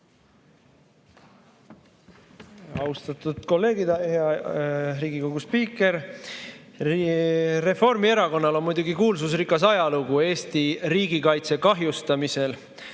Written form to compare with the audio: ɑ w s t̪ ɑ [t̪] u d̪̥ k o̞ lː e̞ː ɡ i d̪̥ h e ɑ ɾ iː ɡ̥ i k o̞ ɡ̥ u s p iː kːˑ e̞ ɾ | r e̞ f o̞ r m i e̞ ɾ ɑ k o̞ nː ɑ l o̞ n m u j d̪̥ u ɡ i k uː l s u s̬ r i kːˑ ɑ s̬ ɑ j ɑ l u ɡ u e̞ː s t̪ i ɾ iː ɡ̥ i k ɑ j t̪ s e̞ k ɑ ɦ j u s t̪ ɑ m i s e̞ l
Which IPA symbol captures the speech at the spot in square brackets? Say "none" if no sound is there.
t̪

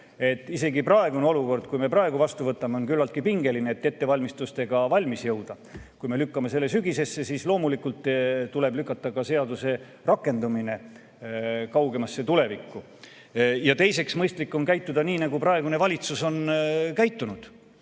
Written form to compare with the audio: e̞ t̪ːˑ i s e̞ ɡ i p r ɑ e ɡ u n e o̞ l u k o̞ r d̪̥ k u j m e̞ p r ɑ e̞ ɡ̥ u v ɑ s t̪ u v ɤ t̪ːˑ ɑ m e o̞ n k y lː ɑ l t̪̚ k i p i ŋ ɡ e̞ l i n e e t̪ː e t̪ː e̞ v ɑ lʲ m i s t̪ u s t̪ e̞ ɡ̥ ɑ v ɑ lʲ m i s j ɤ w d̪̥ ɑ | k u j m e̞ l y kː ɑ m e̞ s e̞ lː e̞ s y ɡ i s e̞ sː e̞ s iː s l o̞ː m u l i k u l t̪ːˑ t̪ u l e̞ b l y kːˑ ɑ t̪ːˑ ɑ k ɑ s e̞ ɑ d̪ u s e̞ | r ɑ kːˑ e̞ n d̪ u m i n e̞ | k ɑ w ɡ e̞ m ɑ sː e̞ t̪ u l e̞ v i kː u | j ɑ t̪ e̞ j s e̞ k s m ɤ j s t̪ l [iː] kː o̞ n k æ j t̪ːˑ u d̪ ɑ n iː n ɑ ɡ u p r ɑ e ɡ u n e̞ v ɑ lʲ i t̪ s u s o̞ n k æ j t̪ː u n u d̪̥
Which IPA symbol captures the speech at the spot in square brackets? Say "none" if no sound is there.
i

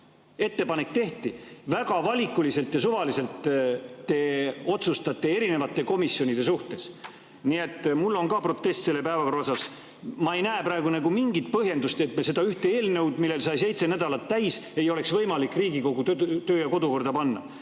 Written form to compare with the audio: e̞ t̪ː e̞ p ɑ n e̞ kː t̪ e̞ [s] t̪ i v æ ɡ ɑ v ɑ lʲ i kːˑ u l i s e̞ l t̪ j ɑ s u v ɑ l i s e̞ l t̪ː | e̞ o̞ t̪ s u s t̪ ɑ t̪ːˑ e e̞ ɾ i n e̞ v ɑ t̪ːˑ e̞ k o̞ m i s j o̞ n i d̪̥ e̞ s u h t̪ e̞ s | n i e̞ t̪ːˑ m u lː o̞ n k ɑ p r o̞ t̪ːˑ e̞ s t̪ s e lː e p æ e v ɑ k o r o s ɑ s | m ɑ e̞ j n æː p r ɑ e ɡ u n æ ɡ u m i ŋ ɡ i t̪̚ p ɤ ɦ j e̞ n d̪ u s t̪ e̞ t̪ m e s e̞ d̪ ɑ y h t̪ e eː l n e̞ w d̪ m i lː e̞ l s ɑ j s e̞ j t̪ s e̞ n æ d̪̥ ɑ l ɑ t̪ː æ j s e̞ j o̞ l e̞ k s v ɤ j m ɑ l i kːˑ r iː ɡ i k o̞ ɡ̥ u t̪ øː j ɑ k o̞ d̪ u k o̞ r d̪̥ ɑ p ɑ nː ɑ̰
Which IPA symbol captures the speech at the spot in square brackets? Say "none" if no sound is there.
h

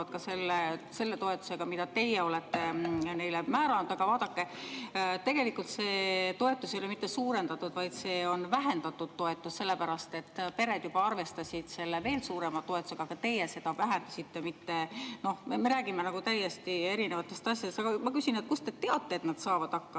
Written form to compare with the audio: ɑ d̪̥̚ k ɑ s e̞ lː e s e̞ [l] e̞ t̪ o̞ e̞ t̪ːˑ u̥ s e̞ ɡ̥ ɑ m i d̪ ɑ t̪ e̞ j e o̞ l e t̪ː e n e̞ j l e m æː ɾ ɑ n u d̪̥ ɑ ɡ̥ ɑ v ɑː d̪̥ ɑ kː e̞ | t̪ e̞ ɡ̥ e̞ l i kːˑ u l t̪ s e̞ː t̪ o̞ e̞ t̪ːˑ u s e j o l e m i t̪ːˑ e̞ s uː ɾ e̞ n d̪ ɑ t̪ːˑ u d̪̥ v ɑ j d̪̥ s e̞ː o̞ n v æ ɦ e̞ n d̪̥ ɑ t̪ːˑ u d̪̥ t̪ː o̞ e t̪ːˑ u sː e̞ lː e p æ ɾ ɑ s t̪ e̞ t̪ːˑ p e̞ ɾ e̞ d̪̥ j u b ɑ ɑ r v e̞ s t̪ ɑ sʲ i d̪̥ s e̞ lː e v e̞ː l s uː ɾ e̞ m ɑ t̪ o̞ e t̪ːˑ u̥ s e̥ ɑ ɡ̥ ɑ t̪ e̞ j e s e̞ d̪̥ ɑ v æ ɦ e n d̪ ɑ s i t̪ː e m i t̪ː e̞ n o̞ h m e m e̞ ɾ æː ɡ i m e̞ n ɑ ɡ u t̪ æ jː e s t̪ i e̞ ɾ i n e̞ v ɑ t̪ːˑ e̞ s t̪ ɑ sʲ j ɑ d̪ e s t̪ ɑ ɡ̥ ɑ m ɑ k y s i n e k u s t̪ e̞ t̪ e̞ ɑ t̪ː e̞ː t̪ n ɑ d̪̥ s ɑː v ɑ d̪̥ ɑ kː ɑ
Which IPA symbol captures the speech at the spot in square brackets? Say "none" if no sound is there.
lː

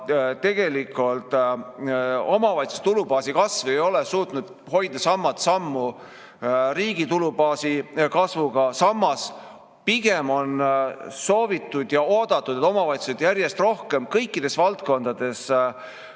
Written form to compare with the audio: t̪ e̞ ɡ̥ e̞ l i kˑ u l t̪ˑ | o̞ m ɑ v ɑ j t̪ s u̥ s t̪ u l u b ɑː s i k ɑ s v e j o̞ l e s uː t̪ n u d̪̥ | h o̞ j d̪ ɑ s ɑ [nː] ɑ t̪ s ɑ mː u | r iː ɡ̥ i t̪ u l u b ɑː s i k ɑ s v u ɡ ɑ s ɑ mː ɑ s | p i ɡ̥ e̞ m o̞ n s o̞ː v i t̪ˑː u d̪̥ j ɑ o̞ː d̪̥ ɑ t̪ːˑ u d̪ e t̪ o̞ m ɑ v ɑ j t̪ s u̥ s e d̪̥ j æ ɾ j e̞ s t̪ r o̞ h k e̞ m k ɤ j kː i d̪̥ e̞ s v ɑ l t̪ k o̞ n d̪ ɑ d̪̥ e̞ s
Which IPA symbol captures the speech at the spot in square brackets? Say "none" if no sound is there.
mː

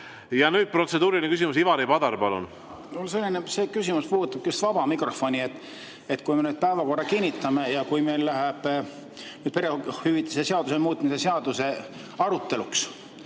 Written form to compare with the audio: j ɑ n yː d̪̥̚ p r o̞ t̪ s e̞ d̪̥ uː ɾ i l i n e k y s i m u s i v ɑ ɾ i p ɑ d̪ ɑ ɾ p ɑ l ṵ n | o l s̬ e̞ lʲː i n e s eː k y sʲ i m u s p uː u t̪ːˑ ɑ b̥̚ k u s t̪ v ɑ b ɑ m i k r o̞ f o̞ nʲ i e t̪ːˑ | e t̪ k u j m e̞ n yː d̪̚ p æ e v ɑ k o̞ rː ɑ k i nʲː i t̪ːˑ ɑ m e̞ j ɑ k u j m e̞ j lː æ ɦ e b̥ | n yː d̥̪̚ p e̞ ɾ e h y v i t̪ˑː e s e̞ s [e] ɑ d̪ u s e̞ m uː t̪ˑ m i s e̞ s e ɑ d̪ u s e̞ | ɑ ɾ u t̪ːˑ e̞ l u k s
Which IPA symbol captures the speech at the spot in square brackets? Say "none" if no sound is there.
e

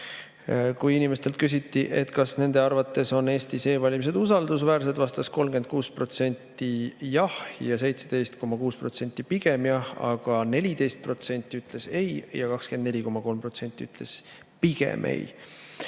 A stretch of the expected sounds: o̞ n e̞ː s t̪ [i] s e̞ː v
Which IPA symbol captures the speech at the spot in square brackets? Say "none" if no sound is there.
i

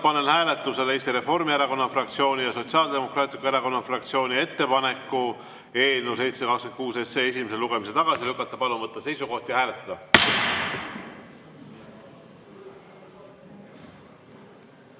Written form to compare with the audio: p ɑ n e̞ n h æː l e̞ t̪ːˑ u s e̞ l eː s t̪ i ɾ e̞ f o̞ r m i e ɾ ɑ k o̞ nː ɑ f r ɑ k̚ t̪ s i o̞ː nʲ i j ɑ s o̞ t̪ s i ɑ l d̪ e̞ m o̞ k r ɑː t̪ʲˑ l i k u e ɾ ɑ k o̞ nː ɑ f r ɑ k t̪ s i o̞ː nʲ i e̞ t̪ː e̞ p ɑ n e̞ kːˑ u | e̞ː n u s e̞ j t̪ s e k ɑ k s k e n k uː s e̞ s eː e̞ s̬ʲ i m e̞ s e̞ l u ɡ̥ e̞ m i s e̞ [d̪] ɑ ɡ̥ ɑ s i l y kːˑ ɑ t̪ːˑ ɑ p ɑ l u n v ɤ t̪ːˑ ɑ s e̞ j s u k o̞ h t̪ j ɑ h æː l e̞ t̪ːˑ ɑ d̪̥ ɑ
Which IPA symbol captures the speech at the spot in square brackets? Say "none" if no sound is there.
t̪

